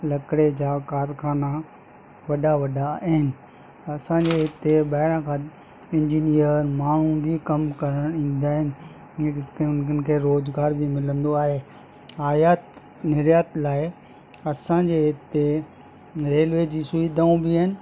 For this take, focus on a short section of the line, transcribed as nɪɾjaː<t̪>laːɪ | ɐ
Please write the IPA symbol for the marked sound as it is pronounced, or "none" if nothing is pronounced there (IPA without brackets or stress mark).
t̪